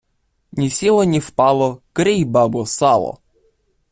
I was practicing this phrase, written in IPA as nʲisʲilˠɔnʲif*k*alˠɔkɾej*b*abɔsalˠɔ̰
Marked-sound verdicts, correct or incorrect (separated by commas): incorrect, correct